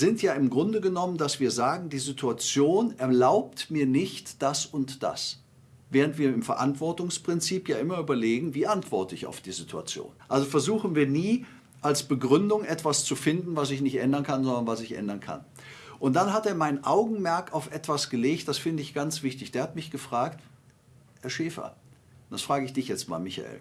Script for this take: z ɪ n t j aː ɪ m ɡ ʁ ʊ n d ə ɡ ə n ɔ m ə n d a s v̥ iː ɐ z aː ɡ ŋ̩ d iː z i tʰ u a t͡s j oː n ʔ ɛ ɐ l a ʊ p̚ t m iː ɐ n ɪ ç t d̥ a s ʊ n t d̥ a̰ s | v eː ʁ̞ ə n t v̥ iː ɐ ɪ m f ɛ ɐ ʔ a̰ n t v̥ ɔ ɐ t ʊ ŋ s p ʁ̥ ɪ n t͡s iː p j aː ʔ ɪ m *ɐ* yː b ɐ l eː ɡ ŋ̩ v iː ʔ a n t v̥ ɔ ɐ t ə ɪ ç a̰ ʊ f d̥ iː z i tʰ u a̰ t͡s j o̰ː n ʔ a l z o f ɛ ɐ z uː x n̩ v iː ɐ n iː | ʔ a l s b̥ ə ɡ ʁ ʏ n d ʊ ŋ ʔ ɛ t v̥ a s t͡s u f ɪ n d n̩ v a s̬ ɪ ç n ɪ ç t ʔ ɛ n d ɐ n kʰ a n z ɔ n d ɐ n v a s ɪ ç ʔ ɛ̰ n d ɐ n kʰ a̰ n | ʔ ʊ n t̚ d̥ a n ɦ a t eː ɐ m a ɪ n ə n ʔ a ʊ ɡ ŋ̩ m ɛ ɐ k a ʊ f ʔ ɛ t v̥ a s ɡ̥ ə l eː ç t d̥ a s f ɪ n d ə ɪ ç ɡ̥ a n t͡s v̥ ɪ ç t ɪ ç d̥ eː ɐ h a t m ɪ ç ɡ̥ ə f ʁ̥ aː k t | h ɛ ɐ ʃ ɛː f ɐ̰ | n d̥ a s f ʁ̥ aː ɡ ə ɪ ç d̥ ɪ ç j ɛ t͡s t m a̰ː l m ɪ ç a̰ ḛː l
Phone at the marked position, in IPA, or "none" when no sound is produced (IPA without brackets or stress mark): ɐ